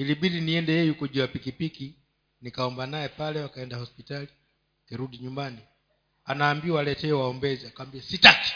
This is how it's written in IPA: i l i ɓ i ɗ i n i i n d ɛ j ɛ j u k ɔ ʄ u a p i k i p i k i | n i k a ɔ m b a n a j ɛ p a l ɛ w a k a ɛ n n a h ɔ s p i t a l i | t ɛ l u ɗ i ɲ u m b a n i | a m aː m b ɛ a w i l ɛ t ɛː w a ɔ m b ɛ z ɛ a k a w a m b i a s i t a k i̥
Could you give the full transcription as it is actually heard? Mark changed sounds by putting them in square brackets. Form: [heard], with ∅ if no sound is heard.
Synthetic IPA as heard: i l i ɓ i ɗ i n i [ɛ] n d ɛ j ɛ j u k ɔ ʄ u a p i k i p i k i | n i k a ɔ m b a n a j ɛ p a l ɛ w a k a ɛ n [d] a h ɔ s p i t a l i | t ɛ [ɾ] u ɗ i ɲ u m b a n i | a [n] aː m b [i] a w [a] l ɛ t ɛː w a ɔ m b ɛ z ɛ a k a w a m b i a s i t a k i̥